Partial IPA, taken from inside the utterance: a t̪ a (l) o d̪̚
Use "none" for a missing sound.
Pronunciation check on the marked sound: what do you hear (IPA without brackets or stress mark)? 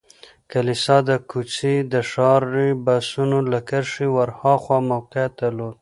l